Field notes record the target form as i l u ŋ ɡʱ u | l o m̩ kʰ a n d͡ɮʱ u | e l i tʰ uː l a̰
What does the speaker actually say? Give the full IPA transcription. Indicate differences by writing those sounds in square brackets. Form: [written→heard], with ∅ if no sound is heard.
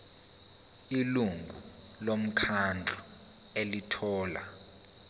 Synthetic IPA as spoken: i l u ŋ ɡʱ u | l o m̩ kʰ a n d͡ɮʱ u | e l i tʰ [uː→ɔː] l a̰